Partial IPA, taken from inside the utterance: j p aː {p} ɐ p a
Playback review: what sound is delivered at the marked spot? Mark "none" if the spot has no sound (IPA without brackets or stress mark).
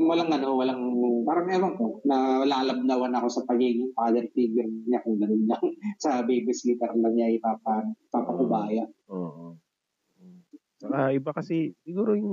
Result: p